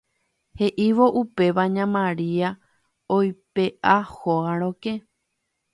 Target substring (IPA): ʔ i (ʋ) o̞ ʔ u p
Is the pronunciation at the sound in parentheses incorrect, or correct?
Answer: correct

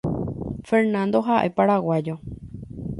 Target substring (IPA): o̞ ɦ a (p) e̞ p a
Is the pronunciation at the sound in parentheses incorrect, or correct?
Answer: incorrect: ʔ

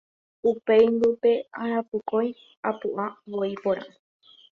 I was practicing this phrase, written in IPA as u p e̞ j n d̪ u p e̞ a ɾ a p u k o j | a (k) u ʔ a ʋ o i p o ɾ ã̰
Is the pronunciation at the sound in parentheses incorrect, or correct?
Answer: incorrect: p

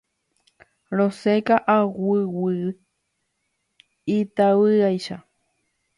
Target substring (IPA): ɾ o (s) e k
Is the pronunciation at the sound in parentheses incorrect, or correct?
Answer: correct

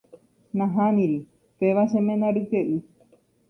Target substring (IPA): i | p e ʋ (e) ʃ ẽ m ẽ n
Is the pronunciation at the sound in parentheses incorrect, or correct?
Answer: incorrect: a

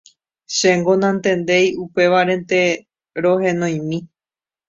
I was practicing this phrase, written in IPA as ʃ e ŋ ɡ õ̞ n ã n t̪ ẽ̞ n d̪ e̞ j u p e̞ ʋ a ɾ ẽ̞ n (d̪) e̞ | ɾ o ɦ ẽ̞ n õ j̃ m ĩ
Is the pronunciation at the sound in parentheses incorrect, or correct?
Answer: incorrect: t̪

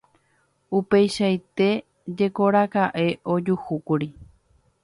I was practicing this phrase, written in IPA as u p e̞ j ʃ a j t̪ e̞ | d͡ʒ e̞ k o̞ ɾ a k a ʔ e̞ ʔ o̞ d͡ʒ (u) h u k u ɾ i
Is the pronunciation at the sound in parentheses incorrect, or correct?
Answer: correct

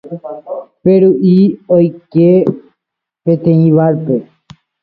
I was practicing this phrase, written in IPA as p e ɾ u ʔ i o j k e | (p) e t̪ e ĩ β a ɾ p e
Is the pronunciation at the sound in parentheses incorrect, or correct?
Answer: correct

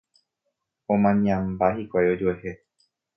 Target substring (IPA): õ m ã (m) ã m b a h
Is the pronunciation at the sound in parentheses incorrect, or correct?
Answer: incorrect: ɲ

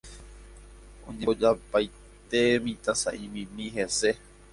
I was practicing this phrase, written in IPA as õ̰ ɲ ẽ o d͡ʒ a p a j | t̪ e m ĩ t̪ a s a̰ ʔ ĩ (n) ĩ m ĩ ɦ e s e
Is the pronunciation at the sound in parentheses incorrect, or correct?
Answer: incorrect: m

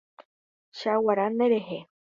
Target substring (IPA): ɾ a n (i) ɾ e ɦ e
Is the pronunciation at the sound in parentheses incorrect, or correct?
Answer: incorrect: e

